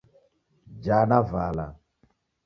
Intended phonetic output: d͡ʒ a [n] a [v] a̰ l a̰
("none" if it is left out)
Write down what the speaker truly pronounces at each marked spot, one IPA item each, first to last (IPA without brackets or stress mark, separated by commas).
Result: n, v